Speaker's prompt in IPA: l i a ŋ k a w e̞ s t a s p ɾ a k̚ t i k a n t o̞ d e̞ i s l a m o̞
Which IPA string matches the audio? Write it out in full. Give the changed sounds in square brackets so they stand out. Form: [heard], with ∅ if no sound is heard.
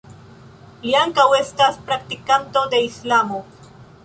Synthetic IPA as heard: l i a ŋ k a w e̞ s t a s p ɾ a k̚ t i k a n t o̞ d e̞ i s l a m o̞